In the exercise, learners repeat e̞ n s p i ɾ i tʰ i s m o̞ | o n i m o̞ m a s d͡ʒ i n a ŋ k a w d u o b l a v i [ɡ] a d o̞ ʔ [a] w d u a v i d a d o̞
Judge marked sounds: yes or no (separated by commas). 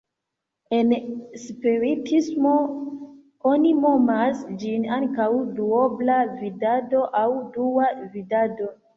no, yes